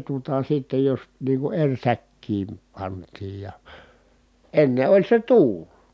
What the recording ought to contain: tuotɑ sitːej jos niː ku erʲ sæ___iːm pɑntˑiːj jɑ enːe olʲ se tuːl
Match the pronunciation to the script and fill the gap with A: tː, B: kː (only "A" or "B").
B